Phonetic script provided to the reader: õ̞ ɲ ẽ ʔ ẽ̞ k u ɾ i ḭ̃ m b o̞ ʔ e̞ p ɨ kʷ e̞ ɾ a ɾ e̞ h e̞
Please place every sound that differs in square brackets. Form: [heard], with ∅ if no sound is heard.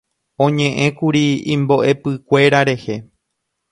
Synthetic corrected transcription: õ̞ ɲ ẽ ʔ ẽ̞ k u ɾ i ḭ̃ m b o̞ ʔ e̞ p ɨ kʷ e̞ ɾ a ɾ e̞ h e̞